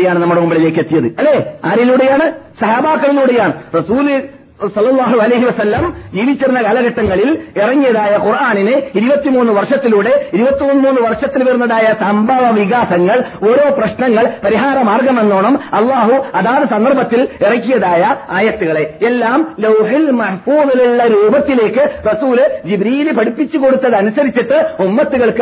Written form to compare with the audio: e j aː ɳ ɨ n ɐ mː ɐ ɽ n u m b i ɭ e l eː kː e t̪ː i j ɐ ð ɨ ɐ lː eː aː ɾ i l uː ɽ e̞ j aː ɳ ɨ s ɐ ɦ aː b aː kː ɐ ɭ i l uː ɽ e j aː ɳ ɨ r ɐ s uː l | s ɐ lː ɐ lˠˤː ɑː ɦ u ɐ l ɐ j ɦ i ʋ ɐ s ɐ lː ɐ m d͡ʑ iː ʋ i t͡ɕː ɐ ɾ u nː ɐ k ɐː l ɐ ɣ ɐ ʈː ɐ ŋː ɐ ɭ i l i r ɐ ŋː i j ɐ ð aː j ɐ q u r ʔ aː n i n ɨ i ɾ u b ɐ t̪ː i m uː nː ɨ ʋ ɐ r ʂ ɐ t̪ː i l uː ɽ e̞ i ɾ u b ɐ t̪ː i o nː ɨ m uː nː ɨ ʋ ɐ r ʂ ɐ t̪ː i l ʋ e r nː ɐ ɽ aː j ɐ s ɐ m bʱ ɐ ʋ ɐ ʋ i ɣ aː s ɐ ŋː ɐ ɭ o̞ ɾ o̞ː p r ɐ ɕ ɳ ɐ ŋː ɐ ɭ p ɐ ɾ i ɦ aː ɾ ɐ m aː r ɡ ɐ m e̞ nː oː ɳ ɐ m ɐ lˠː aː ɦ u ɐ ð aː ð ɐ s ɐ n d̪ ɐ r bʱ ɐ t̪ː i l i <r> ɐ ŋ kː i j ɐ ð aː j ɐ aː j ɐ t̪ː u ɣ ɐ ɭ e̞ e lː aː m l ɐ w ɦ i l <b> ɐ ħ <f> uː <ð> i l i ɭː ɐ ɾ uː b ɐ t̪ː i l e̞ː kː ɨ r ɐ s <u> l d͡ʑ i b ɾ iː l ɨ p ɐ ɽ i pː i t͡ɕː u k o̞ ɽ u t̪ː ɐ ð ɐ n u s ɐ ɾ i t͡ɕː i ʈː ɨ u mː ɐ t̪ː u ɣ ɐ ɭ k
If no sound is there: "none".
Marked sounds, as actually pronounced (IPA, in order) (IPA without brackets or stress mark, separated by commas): r, m, f, ð, uː